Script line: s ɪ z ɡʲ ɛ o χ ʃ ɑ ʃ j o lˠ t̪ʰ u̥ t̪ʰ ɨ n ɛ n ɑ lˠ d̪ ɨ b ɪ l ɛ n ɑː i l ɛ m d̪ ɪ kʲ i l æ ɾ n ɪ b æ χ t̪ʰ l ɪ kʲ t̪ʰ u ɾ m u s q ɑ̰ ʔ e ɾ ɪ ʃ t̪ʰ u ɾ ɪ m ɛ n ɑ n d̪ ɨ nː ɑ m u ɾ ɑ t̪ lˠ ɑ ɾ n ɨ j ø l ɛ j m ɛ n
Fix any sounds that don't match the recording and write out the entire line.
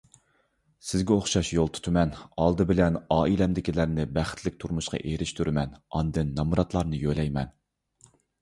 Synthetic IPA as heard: s ɪ z ɡʲ ɛ o χ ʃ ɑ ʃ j o lˠ t̪ʰ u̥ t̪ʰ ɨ m ɛ n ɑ lˠ d̪ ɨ b ɪ l ɛ n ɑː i l ɛ m d̪ ɪ kʲ i l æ ɾ n ɪ b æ χ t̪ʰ l ɪ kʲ t̪ʰ u ɾ m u ʃ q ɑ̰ ʔ e ɾ ɪ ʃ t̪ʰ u ɾ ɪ m ɛ n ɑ n d̪ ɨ nː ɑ m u ɾ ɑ t̪ lˠ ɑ ɾ n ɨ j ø l ɛ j m ɛ n